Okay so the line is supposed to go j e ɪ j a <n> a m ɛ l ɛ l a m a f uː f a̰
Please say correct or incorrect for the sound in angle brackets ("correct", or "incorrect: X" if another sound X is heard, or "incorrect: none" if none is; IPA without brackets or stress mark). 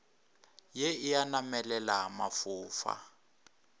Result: correct